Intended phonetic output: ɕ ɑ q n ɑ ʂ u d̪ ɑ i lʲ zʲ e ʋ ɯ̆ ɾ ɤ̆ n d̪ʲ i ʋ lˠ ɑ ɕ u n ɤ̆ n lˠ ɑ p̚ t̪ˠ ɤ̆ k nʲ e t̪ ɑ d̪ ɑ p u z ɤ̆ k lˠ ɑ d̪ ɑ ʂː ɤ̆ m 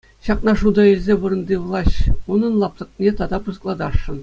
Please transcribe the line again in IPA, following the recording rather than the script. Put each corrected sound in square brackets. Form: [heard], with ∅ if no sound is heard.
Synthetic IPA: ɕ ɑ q n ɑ ʂ u d̪ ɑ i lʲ zʲ e ʋ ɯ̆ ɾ ɤ̆ n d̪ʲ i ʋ lˠ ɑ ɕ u n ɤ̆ n lˠ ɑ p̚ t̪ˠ ɤ̆ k nʲ e t̪ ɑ d̪ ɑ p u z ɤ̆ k lˠ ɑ d̪ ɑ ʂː ɤ̆ [n]